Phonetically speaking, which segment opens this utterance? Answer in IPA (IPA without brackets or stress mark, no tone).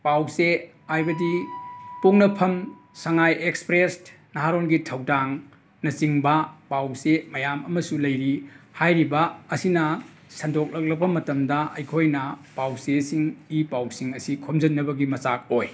p